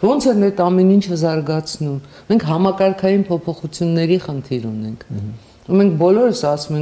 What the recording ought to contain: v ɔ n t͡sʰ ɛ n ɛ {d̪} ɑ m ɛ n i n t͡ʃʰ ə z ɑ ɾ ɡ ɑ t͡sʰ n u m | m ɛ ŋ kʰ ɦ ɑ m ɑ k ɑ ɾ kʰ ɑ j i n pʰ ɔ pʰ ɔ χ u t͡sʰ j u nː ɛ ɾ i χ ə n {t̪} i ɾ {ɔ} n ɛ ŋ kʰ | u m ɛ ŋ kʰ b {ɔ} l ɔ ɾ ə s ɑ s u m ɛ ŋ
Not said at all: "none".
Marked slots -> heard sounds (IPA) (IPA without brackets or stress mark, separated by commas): t̪, t̪ʰ, u, ɔ